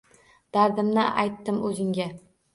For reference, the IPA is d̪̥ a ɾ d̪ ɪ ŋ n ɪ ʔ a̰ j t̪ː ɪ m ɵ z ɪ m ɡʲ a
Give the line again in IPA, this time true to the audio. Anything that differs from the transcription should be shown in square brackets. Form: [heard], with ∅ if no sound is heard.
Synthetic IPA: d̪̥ a ɾ d̪ ɪ [m] n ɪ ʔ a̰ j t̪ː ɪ m ɵ z ɪ [ŋ] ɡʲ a